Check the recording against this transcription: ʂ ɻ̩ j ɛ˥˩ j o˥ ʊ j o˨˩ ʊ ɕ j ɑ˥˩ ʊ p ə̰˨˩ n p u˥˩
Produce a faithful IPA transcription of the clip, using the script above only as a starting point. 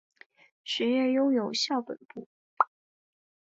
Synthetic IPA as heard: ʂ ɻ̩ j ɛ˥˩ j o˥ ʊ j o˨˩ ʊ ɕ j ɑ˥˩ ʊ p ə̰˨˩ n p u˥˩